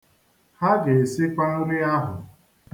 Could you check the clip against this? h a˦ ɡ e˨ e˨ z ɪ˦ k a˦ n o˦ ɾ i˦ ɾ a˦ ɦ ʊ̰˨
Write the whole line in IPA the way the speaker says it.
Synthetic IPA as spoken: h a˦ ɡ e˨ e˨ s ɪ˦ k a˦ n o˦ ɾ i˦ a˦ ɦ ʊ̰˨